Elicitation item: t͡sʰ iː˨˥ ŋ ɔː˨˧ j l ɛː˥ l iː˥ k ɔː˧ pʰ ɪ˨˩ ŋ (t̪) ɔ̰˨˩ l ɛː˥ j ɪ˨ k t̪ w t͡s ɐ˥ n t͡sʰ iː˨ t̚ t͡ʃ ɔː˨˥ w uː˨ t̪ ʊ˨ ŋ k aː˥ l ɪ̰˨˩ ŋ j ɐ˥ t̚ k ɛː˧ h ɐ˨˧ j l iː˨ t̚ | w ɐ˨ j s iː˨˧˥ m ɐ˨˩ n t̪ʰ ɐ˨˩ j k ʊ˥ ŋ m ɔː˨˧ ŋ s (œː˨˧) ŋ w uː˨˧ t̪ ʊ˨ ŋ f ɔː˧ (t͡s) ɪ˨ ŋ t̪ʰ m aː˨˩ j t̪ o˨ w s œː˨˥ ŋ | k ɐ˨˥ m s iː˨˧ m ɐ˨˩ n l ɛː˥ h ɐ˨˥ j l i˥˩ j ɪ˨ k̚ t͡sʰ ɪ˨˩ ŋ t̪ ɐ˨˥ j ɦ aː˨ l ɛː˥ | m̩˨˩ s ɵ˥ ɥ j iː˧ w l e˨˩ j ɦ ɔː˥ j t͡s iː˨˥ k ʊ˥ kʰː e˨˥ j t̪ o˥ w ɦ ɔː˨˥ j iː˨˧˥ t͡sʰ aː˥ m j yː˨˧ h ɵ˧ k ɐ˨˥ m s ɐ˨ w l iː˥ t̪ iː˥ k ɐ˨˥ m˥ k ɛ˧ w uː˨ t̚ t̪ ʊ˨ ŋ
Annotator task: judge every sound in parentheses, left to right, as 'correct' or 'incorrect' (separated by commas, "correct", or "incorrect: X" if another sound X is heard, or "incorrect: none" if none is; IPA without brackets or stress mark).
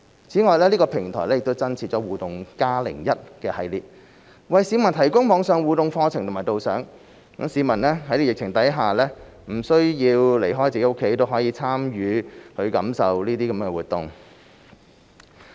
incorrect: t̪ʰ, correct, incorrect: t͡sʰ